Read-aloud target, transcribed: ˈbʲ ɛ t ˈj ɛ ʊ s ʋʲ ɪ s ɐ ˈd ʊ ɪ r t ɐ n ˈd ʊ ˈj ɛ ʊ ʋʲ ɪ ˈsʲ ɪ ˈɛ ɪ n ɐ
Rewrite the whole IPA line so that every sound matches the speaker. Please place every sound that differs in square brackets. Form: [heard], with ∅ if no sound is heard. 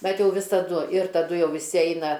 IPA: ˈbʲ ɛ t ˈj ɛ ʊ [∅] ʋʲ ɪ s ɐ ˈd ʊ ɪ r t ɐ [∅] ˈd ʊ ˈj ɛ ʊ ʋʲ ɪ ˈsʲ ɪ ˈɛ ɪ n ɐ